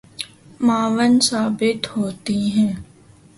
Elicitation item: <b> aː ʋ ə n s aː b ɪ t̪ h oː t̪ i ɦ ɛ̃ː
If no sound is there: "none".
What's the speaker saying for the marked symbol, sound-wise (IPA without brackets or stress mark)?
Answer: m